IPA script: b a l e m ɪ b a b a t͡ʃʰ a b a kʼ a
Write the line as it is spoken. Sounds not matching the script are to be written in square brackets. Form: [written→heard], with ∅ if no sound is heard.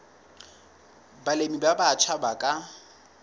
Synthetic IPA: b a l e m [ɪ→i] b a b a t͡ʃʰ a b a kʼ a